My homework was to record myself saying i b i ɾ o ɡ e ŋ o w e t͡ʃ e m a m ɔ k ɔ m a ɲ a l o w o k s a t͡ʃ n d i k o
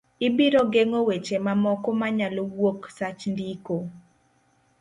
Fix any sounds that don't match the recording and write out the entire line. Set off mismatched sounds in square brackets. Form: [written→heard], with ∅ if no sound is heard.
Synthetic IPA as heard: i b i ɾ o ɡ e ŋ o w e t͡ʃ e m a m ɔ k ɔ m a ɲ a l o w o k s a t͡ʃ n d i k o